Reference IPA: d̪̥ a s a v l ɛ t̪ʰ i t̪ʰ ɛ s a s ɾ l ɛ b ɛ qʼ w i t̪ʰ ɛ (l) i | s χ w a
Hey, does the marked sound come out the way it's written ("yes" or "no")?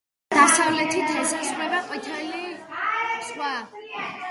yes